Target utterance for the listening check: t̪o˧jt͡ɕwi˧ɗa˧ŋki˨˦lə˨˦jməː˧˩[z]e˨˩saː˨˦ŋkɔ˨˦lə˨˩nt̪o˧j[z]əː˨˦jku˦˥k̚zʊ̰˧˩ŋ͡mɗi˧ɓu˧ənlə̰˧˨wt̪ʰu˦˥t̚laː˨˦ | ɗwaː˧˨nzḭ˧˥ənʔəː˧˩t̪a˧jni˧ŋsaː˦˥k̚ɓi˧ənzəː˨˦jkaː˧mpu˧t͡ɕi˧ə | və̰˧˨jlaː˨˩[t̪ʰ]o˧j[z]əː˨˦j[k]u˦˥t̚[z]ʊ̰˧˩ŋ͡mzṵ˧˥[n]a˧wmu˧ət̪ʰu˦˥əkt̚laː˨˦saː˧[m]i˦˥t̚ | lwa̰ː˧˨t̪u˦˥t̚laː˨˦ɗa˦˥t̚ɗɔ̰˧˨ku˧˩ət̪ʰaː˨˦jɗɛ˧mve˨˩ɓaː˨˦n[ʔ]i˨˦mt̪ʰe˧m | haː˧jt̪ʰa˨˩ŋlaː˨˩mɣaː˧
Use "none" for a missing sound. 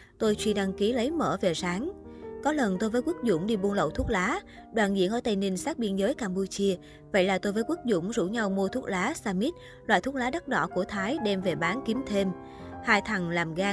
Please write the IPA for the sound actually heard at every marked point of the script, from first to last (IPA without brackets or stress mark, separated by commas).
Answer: v, v, t̪, v, k, z, ɲ, m, k